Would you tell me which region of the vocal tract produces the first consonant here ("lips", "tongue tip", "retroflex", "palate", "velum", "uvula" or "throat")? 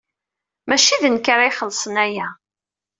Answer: lips